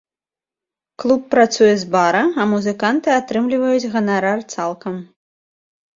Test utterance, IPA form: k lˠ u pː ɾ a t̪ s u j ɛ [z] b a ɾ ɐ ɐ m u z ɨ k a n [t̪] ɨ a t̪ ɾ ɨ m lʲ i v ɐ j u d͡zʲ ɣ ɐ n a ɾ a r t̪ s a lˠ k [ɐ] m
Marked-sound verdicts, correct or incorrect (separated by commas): correct, correct, correct